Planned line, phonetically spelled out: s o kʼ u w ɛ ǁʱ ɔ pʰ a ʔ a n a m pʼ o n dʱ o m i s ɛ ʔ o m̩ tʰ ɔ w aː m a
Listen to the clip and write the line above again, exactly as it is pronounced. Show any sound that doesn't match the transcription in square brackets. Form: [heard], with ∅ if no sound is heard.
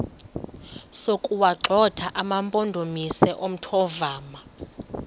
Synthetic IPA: s o kʼ u w [a] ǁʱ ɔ [tʰ] a ʔ a [m] a m pʼ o n dʱ o m i s ɛ ʔ o m̩ tʰ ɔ [v] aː m a